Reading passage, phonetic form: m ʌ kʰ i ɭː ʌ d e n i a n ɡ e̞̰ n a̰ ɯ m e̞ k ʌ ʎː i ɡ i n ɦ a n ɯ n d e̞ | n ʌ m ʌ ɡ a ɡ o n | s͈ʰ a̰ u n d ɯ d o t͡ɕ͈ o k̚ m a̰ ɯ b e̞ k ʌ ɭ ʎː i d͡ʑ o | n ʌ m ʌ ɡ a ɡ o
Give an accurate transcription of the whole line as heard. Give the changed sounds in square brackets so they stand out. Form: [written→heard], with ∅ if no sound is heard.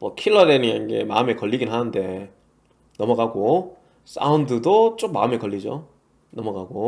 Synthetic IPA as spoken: m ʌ kʰ i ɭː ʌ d e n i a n ɡ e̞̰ [n→m] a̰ ɯ m e̞ k ʌ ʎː i ɡ i n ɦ a n ɯ n d e̞ | n ʌ m ʌ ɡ a ɡ o [n→∅] | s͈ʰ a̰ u n d ɯ d o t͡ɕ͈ o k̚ m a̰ ɯ [b→m] e̞ k ʌ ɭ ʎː i d͡ʑ o | n ʌ m ʌ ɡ a ɡ o